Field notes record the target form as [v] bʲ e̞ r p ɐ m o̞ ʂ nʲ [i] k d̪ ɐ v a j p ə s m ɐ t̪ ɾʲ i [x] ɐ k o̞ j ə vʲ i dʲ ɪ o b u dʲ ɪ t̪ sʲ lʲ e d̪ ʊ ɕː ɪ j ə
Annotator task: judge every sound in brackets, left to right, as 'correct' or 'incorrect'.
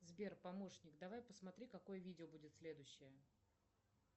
incorrect: z, incorrect: ɪ, incorrect: k

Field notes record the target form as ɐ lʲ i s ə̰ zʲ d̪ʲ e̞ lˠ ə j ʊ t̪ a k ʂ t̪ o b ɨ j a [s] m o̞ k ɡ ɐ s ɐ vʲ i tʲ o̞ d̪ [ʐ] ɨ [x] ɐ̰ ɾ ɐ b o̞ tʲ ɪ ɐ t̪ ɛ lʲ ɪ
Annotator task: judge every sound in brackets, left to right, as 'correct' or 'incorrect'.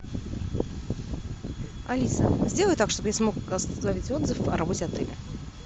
correct, incorrect: z, incorrect: f

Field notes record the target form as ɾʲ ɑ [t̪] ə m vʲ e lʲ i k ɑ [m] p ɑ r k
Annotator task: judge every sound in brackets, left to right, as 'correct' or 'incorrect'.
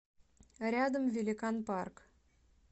incorrect: d̪, incorrect: n

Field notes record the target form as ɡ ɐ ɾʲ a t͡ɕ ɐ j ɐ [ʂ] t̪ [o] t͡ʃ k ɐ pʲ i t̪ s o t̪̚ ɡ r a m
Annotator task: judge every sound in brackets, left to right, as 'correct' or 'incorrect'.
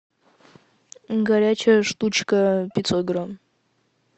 correct, incorrect: u

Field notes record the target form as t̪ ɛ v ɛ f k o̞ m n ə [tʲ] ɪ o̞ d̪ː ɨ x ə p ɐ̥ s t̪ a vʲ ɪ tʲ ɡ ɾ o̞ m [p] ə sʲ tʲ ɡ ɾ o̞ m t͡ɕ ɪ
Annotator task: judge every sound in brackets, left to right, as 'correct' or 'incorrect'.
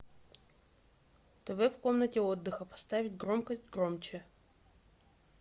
correct, incorrect: k

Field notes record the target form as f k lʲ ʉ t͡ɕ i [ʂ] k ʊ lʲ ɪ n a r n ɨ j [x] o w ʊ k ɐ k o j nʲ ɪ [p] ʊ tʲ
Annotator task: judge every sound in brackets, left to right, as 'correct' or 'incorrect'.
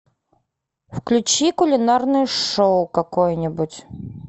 incorrect: none, incorrect: ʂ, incorrect: b

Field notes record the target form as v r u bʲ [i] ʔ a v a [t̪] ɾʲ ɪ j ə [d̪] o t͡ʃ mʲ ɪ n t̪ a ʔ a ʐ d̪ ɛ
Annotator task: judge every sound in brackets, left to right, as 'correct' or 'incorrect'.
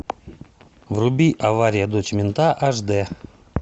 correct, incorrect: none, correct

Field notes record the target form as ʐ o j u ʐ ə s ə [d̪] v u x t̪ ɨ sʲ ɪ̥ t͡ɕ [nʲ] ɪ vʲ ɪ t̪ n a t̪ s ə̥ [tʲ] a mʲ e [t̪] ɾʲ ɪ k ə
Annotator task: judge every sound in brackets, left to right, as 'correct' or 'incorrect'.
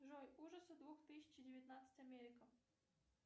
correct, incorrect: dʲ, correct, incorrect: none

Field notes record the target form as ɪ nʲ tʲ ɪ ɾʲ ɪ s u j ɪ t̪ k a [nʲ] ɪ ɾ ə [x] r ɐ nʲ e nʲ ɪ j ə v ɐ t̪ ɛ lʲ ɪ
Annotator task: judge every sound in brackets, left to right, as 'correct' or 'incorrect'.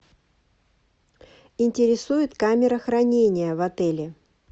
incorrect: mʲ, correct

